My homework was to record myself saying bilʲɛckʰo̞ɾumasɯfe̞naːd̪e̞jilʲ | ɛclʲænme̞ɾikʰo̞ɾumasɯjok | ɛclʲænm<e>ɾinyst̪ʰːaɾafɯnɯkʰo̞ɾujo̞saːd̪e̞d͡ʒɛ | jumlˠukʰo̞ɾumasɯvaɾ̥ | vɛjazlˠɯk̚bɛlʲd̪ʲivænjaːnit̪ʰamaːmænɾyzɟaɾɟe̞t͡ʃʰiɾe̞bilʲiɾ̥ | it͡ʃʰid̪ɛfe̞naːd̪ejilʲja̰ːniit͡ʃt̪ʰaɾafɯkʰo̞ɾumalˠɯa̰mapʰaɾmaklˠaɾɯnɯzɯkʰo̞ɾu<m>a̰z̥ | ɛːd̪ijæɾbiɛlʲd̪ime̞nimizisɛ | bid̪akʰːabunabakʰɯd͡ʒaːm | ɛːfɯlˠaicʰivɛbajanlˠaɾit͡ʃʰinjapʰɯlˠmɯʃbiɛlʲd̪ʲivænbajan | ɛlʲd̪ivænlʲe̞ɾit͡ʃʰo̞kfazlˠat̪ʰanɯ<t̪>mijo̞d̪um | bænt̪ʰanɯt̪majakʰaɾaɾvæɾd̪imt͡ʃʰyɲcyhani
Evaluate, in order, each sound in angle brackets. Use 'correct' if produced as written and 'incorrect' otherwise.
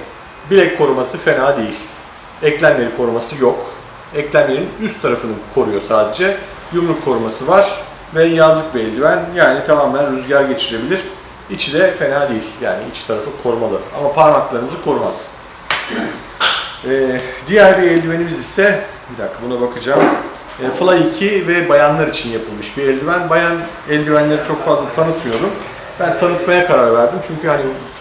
correct, correct, correct

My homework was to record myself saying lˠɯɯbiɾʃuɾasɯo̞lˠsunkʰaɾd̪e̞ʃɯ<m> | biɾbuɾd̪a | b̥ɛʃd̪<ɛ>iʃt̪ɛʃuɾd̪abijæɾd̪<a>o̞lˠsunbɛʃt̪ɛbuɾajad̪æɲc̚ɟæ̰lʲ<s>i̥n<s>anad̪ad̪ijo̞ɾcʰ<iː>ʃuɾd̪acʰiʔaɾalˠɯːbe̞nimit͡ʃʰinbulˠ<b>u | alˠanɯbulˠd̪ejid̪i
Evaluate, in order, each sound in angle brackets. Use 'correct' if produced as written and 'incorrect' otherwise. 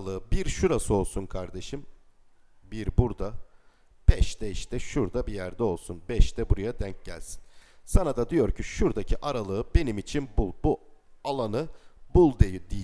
correct, correct, incorrect: ɛ, correct, correct, incorrect: i, correct

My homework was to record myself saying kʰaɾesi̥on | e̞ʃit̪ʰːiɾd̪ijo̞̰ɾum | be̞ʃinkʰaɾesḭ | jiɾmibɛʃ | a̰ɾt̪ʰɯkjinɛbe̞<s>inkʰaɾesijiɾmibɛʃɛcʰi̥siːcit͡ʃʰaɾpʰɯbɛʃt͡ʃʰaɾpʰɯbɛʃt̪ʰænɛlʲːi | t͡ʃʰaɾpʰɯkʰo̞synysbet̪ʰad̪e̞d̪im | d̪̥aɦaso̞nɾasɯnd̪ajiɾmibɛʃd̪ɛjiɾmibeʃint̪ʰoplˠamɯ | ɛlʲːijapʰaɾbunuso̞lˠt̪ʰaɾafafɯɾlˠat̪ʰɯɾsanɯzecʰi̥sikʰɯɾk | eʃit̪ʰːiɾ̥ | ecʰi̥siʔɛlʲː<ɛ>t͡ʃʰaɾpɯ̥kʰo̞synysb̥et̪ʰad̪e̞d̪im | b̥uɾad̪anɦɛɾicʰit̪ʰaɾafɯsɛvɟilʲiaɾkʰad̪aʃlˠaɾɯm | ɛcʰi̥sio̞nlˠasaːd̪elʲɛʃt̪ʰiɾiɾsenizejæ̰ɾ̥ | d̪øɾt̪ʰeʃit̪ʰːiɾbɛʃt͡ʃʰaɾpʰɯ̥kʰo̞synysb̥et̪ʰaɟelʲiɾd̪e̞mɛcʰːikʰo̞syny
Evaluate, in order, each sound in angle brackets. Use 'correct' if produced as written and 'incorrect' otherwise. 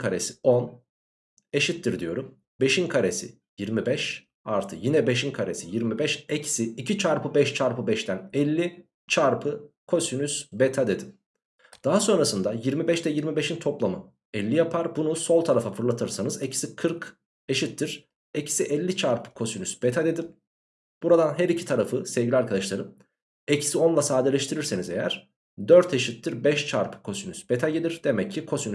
incorrect: ʃ, incorrect: i

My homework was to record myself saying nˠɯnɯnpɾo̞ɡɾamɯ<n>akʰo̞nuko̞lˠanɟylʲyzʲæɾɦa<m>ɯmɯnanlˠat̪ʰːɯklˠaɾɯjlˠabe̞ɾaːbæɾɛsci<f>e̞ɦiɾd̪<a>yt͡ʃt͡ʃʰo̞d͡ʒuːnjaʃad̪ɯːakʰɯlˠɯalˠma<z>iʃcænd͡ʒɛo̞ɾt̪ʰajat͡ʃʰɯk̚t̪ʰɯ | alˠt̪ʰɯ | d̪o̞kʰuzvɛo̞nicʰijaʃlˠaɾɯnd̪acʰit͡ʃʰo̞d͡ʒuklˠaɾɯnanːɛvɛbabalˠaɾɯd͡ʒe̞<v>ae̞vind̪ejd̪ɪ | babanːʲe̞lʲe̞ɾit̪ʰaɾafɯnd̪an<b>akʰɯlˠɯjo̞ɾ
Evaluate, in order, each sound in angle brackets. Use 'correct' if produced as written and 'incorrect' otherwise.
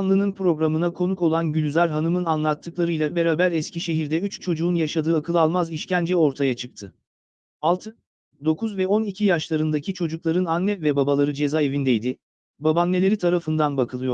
correct, incorrect: n, incorrect: ʃ, incorrect: ɛ, correct, incorrect: z, correct

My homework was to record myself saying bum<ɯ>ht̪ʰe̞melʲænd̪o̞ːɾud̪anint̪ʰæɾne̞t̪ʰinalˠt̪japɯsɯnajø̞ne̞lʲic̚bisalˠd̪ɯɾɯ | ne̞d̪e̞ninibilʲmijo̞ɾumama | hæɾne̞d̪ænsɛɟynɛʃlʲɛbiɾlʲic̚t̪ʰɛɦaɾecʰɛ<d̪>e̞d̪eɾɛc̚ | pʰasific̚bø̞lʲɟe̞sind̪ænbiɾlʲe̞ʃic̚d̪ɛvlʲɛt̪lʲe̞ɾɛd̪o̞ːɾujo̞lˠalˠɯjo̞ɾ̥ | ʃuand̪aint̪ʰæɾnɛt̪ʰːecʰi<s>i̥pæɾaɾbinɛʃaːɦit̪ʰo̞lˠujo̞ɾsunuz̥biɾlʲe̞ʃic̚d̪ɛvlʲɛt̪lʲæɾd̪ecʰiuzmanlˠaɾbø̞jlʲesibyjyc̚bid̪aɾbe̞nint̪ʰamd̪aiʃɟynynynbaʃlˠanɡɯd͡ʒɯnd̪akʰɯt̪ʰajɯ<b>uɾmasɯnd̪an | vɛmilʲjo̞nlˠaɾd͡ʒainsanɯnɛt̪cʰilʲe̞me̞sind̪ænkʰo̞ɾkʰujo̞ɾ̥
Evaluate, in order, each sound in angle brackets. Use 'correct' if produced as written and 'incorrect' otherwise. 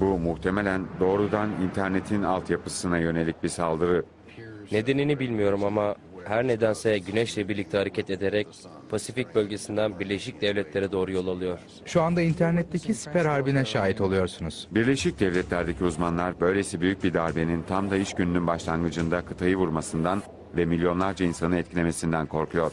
incorrect: u, incorrect: t̪, correct, incorrect: v

